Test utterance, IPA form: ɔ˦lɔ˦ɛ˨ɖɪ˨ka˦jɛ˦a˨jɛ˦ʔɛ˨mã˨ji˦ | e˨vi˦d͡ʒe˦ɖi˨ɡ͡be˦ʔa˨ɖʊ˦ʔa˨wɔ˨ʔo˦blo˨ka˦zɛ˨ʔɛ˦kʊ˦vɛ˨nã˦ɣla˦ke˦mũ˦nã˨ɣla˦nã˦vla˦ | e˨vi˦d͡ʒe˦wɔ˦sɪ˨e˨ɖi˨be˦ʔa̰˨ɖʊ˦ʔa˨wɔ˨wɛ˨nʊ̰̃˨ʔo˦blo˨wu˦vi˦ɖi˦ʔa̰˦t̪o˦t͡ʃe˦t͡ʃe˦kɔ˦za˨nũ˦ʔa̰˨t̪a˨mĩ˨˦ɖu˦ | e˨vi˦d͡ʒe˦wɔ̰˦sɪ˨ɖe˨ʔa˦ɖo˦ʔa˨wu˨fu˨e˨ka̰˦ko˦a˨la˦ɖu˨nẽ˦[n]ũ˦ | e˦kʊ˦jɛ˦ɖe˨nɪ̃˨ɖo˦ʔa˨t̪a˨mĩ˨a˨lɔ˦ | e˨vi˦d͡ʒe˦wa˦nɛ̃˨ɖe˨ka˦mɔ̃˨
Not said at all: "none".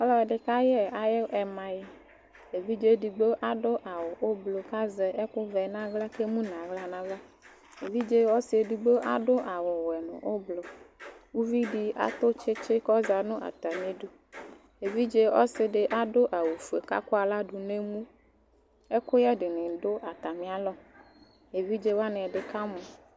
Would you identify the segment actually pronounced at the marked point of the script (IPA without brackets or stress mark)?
m